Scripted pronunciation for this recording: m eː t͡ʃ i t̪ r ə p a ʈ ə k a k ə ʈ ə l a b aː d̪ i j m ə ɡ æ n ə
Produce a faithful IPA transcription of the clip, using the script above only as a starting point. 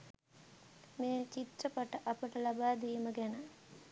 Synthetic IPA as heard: m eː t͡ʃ i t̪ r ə p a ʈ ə ʔ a p ə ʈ ə l a b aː d̪ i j m ə ɡ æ n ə